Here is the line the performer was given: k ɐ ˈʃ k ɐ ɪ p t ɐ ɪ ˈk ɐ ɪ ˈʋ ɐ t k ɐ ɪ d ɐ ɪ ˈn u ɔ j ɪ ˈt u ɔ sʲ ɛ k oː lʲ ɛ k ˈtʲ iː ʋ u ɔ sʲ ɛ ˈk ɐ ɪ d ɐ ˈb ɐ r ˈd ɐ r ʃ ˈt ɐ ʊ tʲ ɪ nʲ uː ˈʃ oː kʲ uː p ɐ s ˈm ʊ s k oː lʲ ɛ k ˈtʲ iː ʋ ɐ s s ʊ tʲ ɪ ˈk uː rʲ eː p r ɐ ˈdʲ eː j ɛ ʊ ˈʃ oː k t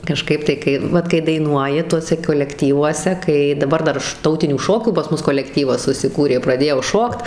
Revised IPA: k ɐ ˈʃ k ɐ ɪ p t ɐ ɪ ˈk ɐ ɪ ˈʋ ɐ t k ɐ ɪ d ɐ ɪ ˈn u ɔ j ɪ ˈt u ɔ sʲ ɛ k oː lʲ ɛ k ˈtʲ iː ʋ u ɔ sʲ ɛ ˈk ɐ ɪ d ɐ ˈb ɐ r ˈd ɐ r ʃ ˈt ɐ ʊ tʲ ɪ nʲ uː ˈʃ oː kʲ uː p ɐ s ˈm ʊ s k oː lʲ ɛ k ˈtʲ iː ʋ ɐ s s ʊ sʲ ɪ ˈk uː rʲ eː p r ɐ ˈdʲ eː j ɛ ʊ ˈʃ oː k t